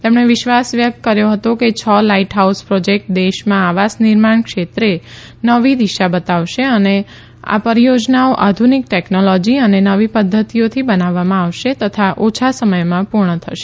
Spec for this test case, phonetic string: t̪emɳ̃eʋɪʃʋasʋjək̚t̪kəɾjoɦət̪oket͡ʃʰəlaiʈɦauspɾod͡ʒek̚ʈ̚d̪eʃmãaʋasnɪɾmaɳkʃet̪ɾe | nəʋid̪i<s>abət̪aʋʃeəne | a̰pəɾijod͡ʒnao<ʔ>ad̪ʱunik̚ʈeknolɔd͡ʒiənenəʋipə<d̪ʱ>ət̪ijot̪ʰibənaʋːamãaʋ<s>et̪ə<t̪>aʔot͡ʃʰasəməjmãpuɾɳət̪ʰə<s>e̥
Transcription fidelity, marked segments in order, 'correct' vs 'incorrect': incorrect, correct, incorrect, incorrect, incorrect, incorrect

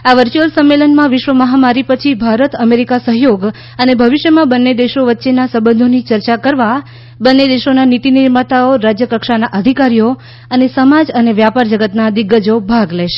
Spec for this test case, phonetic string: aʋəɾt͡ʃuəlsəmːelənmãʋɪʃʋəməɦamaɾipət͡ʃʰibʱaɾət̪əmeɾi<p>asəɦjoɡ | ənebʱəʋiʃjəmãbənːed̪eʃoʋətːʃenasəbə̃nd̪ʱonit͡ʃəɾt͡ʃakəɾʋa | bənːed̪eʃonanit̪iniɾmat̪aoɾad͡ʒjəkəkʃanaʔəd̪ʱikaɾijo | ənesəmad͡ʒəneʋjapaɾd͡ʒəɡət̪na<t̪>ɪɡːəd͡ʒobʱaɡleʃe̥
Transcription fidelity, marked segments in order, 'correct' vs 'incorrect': incorrect, incorrect

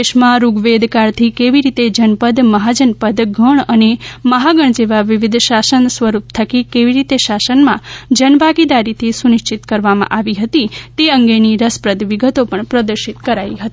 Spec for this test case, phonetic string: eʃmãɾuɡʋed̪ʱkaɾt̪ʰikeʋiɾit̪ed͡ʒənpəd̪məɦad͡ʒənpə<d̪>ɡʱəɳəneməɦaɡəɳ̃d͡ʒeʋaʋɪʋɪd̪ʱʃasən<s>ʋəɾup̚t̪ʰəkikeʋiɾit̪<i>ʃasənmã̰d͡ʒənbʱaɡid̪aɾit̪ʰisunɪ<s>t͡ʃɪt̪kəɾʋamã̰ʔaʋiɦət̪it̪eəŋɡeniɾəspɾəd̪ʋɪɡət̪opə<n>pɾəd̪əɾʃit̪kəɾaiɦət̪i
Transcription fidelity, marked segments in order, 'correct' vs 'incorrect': correct, correct, incorrect, incorrect, incorrect

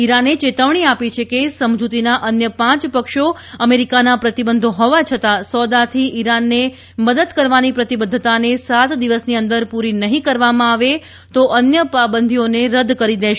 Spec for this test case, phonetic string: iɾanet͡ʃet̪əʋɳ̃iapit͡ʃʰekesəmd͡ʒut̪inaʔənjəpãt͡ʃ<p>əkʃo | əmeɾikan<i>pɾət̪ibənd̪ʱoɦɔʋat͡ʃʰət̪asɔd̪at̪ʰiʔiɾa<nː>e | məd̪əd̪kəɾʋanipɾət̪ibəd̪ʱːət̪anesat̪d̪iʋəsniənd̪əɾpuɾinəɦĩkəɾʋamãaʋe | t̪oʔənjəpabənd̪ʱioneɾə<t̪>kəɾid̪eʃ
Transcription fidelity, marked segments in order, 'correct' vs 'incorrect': correct, incorrect, correct, incorrect

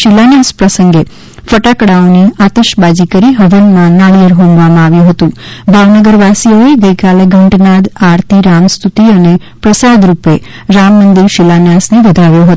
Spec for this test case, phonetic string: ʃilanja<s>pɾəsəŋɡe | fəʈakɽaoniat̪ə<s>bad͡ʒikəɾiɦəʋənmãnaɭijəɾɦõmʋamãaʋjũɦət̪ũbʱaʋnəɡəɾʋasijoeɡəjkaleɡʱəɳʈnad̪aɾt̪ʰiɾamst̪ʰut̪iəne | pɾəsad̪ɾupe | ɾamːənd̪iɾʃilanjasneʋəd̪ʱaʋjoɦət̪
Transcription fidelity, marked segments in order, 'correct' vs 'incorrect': correct, incorrect

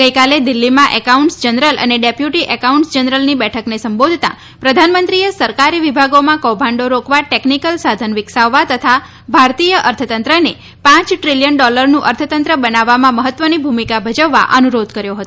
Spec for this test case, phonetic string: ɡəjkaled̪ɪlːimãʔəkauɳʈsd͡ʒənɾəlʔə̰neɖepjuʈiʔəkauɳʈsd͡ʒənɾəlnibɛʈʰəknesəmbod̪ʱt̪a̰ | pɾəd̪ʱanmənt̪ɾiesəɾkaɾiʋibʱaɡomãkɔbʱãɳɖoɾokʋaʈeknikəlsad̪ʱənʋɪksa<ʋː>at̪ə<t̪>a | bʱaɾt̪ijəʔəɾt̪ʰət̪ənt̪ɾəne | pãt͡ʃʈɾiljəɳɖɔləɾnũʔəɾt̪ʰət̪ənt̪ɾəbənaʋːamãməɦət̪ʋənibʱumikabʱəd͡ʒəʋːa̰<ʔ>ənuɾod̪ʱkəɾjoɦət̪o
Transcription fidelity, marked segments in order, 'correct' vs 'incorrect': correct, incorrect, correct

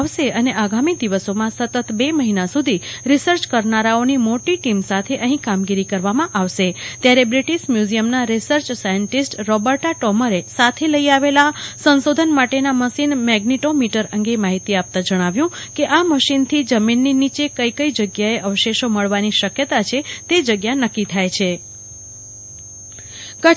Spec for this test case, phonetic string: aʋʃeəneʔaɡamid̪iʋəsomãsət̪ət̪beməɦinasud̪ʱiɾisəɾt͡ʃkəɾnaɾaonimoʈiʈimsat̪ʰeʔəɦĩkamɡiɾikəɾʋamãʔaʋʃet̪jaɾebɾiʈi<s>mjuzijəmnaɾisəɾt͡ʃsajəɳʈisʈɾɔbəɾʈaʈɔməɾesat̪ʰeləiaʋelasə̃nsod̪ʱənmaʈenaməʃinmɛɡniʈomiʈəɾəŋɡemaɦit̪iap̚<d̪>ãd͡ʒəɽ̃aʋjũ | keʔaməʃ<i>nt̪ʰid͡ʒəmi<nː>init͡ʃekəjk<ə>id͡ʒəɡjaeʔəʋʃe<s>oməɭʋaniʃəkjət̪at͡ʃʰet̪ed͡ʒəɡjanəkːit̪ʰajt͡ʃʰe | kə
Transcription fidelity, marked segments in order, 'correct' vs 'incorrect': incorrect, incorrect, correct, correct, correct, incorrect

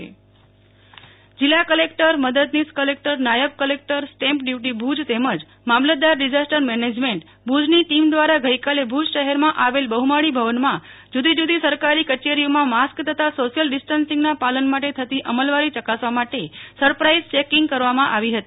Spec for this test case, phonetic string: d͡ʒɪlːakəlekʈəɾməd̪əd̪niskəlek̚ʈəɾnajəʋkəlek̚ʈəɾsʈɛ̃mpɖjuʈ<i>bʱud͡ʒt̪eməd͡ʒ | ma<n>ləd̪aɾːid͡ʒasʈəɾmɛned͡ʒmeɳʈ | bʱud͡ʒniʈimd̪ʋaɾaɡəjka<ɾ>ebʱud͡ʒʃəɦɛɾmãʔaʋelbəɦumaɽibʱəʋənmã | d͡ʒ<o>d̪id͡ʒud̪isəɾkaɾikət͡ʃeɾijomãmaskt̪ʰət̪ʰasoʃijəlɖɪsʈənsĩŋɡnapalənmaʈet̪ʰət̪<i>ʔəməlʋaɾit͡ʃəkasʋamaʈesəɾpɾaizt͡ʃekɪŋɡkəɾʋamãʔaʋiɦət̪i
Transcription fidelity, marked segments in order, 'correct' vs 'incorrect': correct, incorrect, incorrect, incorrect, correct

